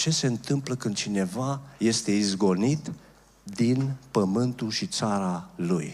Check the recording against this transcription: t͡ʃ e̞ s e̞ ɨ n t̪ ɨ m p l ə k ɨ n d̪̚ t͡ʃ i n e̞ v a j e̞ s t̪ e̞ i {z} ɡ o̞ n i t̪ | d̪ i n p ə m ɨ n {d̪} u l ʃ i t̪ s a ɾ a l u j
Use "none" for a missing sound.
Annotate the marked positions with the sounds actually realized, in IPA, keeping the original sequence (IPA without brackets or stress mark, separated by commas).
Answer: z, t̪